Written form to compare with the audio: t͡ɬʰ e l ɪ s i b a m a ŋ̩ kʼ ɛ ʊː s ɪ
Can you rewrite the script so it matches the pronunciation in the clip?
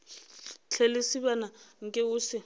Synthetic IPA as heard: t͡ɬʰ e l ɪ s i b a n a ŋ̩ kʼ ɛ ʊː s ɪ